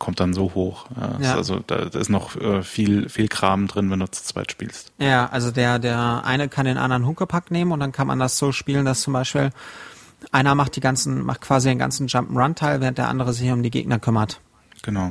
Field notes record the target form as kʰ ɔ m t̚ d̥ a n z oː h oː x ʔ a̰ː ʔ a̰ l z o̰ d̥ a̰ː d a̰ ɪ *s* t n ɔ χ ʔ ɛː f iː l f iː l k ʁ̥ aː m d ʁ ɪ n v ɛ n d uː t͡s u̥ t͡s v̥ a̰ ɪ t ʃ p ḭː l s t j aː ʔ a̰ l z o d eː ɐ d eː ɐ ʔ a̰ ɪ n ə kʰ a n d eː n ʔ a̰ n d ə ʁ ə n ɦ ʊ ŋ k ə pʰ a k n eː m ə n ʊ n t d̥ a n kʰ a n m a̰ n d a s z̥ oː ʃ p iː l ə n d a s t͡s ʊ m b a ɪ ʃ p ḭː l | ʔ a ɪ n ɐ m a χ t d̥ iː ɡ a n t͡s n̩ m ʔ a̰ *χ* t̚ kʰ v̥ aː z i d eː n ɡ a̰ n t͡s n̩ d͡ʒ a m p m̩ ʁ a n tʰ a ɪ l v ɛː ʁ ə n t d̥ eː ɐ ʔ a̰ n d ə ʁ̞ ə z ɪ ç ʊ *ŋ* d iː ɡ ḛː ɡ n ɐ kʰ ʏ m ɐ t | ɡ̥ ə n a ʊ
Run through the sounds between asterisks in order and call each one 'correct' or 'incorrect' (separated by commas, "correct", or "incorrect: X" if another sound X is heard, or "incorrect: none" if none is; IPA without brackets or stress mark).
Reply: correct, correct, incorrect: m